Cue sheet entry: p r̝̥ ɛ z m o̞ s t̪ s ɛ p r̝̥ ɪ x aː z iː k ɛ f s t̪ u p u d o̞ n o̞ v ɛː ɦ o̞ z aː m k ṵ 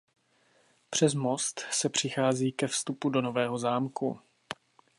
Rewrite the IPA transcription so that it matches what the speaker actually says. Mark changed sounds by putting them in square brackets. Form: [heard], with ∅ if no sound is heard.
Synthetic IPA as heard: p r̝̥ ɛ z m o̞ s t̪ s ɛ p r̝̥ ɪ x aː z iː k ɛ f s t̪ u p u d o̞ n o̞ v ɛː ɦ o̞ z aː m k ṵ

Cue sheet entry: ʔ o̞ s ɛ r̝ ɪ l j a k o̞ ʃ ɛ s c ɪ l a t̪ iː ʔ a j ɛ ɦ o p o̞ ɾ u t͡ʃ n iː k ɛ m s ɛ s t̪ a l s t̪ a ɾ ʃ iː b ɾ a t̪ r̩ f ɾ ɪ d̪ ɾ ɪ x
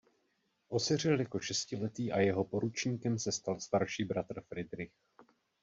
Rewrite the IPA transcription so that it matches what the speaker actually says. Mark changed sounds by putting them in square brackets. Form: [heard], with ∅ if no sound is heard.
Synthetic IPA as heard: ʔ o̞ s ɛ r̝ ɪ l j a k o̞ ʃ ɛ s c ɪ l [ɛ] t̪ iː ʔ a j ɛ ɦ o p o̞ ɾ u t͡ʃ [ɲ] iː k ɛ m s ɛ s t̪ a l s t̪ a ɾ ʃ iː b ɾ a t̪ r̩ f ɾ ɪ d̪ ɾ ɪ x

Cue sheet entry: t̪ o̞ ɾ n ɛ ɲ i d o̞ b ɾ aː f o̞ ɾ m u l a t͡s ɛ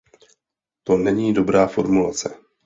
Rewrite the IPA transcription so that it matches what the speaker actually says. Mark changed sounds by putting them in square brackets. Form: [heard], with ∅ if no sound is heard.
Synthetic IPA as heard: t̪ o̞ [∅] n ɛ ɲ [iː] d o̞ b ɾ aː f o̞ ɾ m u l a t͡s ɛ

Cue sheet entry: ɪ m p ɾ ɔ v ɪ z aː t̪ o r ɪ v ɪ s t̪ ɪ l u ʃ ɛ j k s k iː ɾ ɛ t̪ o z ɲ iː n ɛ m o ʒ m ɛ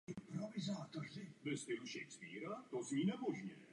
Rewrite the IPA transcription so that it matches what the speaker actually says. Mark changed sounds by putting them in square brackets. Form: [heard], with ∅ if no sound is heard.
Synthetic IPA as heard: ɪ m p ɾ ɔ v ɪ z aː t̪ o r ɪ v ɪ s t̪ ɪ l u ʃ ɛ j k s [p] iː ɾ [a] t̪ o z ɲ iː n ɛ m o ʒ [ɲ] ɛ

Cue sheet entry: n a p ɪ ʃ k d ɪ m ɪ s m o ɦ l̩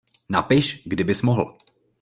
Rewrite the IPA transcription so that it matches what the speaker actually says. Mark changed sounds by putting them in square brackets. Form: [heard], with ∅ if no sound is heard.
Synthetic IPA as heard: n a p ɪ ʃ [ɡ] d ɪ [b] ɪ s m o ɦ l̩

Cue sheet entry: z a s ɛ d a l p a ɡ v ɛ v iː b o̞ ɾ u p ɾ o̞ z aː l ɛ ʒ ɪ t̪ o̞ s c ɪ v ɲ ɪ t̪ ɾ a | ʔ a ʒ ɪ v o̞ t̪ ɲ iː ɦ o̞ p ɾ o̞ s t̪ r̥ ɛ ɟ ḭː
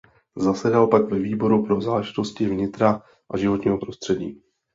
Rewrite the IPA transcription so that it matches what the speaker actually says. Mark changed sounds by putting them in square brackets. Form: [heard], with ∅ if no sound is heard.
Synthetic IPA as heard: z a s ɛ d a l p a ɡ v ɛ v iː b o̞ ɾ u p ɾ o̞ z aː l ɛ ʒ ɪ t̪ o̞ s c ɪ v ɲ ɪ t̪ ɾ a | ʔ a ʒ ɪ v o̞ t̪ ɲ iː ɦ o̞ p ɾ o̞ s t̪ r̥ ɛ ɟ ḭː

